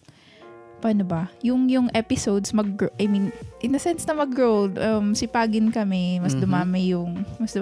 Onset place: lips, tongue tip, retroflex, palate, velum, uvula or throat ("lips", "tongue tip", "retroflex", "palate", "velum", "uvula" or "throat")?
lips